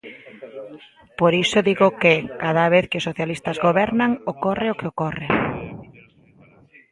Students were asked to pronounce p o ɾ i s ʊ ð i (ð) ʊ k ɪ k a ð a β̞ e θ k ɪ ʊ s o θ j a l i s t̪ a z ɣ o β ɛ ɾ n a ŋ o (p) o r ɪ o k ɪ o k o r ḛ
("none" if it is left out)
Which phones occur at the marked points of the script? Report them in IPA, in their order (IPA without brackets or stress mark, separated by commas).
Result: ɣ, k